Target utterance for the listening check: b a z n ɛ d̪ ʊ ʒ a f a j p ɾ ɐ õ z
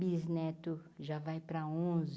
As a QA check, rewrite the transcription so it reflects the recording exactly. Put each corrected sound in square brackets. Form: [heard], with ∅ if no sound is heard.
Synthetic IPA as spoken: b [i] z n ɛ [t̪] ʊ ʒ a [v] a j p ɾ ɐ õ z